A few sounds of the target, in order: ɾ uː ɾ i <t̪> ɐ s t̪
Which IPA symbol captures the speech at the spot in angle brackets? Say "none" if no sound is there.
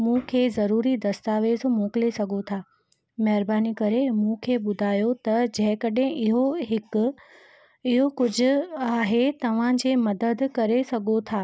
d̪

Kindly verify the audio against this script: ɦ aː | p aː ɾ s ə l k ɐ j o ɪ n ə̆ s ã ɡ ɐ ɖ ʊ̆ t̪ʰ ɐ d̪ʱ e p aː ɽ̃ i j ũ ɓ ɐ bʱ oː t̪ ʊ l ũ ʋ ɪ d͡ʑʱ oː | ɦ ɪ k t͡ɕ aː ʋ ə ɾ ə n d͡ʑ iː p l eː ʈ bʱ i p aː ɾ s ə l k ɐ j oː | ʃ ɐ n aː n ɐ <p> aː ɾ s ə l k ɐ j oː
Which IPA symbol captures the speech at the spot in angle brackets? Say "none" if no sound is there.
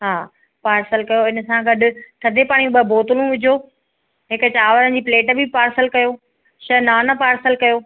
p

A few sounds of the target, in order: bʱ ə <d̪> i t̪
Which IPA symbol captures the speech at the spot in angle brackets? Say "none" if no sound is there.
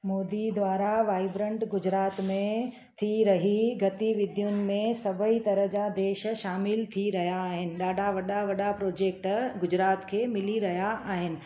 none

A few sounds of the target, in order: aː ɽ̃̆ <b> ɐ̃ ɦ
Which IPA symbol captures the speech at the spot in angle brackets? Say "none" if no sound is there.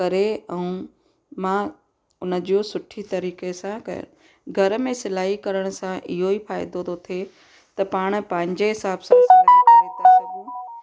p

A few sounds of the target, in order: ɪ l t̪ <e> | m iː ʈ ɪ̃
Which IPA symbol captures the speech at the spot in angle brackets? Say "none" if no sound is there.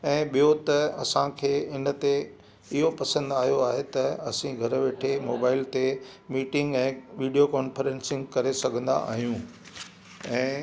e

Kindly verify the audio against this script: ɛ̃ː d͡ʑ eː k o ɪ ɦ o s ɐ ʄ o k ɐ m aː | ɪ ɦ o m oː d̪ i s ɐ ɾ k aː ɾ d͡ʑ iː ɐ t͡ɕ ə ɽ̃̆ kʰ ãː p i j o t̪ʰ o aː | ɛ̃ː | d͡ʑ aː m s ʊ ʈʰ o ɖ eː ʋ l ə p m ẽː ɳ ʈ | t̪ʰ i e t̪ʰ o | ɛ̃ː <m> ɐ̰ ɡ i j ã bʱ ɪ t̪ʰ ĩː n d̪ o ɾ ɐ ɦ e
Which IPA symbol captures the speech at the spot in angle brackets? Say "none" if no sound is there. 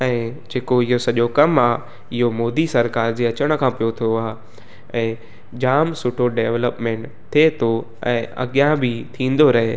none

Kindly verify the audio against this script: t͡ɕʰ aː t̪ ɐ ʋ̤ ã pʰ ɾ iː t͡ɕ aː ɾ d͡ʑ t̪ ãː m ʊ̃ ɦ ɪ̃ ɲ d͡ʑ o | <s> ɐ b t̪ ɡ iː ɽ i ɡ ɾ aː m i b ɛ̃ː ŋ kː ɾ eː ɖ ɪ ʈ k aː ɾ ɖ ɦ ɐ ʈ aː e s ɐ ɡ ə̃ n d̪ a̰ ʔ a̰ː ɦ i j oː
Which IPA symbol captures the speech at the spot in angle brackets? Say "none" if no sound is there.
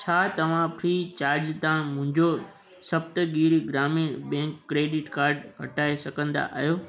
s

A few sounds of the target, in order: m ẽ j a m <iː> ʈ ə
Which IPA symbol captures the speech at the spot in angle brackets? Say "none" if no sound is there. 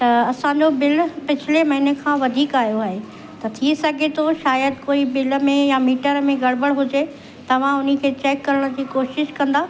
iː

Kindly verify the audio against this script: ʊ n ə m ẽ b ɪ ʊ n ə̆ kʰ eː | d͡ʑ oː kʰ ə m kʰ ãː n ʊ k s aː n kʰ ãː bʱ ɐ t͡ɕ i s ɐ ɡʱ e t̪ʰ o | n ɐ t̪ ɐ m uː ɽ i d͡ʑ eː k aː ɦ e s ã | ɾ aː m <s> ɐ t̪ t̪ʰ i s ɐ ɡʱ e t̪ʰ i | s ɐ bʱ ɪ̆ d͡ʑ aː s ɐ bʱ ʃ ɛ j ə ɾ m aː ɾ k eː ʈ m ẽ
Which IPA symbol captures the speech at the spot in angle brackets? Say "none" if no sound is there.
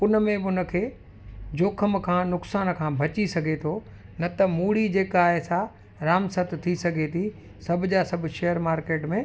s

